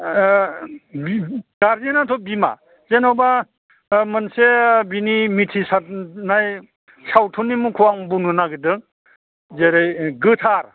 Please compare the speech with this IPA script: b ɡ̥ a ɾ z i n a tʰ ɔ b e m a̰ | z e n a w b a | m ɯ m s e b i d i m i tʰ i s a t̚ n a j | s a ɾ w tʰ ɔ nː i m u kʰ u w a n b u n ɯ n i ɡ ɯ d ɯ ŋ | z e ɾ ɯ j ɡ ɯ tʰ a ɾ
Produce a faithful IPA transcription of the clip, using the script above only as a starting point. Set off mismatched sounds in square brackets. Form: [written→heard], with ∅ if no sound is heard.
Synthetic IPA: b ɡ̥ a ɾ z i n a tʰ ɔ b [e→i] m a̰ | z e n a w b a | m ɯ [m→n] s e b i [d→n] i m i tʰ i s a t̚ n a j | s a [ɾ→∅] w tʰ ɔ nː i m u kʰ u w a [n→ŋ] b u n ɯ n [i→a] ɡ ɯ d ɯ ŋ | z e ɾ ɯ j ɡ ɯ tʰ a ɾ